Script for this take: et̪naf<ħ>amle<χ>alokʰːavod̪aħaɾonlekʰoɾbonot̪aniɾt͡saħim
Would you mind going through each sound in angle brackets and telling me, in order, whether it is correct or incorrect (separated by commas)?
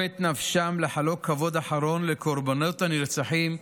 incorrect, incorrect